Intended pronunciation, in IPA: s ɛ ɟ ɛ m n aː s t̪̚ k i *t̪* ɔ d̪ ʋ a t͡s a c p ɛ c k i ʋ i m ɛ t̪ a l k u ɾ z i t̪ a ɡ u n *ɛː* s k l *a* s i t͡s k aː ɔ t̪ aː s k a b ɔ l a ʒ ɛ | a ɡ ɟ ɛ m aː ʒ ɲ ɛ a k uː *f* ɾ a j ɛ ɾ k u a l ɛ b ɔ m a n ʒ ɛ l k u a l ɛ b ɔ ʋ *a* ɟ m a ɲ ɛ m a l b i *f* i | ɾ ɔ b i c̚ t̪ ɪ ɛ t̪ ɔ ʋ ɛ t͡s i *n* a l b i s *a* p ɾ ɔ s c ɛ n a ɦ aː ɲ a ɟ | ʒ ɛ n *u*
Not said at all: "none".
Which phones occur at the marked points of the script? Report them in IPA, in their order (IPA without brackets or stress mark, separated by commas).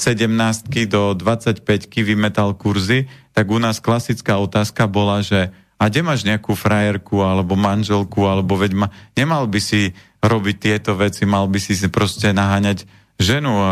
d̪, aː, a, f, ɛ, s, m, i, u